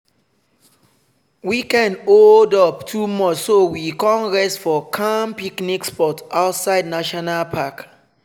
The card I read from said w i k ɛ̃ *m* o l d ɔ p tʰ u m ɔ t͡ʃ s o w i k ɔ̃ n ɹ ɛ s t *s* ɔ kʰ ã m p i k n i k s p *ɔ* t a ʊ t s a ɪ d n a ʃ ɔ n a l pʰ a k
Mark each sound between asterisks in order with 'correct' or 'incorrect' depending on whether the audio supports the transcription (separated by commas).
incorrect, incorrect, correct